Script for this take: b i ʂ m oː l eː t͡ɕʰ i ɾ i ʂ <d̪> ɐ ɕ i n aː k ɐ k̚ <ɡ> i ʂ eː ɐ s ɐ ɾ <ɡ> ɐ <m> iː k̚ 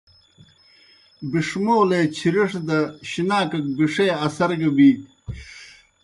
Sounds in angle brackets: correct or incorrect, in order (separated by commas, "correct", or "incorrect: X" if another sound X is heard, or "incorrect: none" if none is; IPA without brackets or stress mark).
correct, incorrect: b, correct, incorrect: b